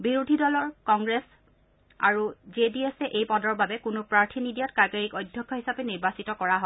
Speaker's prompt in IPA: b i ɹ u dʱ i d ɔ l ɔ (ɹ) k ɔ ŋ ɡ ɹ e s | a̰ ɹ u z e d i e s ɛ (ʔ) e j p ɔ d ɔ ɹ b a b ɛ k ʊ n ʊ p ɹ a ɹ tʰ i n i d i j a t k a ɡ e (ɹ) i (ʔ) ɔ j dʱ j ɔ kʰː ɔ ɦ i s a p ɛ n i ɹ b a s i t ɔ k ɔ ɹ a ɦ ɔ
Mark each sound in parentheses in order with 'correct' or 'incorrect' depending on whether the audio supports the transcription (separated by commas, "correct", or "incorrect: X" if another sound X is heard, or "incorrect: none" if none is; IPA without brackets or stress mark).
correct, correct, correct, incorrect: k